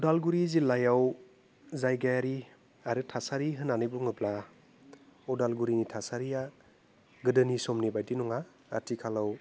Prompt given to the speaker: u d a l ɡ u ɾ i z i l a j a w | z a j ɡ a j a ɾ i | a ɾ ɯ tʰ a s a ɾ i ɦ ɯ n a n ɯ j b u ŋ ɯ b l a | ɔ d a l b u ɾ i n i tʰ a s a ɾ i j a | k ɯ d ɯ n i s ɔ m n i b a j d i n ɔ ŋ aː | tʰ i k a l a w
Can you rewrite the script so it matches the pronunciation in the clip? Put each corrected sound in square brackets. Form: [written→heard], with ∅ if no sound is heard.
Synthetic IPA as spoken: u d a l ɡ u ɾ i z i l a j a w | z a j ɡ a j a ɾ i | a ɾ ɯ tʰ a s a ɾ i ɦ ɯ n a n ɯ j b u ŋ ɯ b l a | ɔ d a l [b→ɡ] u ɾ i n i tʰ a s a ɾ i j a | [k→ɡ] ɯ d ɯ n i s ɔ m n i b a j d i n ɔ ŋ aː | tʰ i [k→kʰ] a l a w